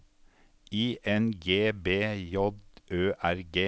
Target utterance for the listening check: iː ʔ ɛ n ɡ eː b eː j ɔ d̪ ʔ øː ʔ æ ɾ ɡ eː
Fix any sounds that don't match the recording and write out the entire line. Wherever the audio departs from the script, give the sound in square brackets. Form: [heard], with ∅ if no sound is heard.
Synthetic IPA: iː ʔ ɛ n ɡ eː b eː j ɔ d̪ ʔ øː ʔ æ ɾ ɡ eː